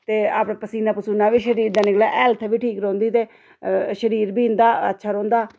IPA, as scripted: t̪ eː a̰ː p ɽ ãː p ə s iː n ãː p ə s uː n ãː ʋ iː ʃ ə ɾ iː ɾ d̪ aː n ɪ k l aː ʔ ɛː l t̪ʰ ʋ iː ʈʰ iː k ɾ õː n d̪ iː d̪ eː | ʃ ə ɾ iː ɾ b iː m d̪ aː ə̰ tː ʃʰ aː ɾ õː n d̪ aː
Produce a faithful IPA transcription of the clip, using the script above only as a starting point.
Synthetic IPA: t̪ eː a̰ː p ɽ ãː p ə s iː n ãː p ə s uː n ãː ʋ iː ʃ ə ɾ iː ɾ d̪ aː n ɪ k l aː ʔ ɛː l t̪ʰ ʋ iː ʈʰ iː k ɾ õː n d̪ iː t̪ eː | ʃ ə ɾ iː ɾ b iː n d̪ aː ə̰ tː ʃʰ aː ɾ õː n d̪ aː